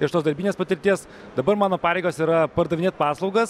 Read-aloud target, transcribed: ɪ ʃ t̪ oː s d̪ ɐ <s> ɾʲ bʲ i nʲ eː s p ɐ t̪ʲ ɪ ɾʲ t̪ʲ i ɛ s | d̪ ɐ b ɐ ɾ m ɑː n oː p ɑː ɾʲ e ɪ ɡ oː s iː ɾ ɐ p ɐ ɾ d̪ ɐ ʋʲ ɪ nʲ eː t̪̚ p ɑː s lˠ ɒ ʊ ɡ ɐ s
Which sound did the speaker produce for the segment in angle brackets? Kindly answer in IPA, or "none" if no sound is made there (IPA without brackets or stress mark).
none